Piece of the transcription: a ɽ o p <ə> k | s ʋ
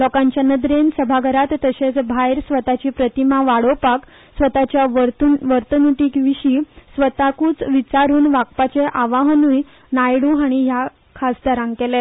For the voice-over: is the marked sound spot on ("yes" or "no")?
no